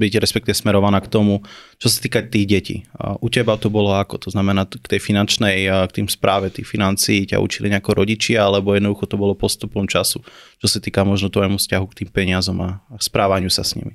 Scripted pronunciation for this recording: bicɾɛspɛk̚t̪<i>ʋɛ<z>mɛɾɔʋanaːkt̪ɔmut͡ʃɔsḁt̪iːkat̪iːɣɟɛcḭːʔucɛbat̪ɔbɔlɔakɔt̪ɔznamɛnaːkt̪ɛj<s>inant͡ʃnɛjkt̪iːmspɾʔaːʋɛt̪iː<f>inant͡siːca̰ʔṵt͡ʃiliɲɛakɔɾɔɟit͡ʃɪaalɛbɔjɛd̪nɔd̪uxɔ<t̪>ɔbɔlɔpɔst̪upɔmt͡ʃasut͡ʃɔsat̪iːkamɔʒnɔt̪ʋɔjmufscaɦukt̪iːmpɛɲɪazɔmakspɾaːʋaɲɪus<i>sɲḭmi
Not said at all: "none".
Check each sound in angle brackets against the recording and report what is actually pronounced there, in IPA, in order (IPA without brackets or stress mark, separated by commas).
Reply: i, s, f, f, t̪, a